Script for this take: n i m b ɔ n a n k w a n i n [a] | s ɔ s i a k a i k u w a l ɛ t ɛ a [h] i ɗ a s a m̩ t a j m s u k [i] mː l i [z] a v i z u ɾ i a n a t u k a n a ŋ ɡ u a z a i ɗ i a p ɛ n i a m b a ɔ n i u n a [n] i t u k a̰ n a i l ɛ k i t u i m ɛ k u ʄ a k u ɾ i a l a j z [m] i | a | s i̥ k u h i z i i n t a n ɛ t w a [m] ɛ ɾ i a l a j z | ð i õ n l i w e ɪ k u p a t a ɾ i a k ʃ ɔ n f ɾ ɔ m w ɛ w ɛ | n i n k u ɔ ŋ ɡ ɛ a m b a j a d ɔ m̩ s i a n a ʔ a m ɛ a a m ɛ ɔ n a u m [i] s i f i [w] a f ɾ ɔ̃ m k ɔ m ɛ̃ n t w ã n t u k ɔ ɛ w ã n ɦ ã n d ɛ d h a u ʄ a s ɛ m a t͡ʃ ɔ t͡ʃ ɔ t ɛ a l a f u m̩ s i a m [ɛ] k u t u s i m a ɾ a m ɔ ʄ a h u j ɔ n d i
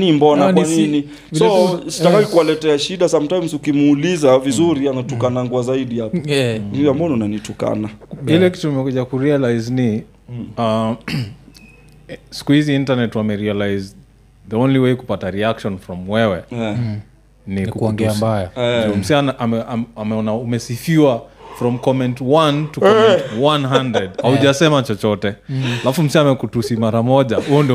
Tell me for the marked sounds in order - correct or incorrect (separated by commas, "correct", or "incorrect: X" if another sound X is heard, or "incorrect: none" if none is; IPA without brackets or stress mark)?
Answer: incorrect: i, incorrect: ʃ, correct, correct, correct, incorrect: n, correct, incorrect: ɛ, correct, correct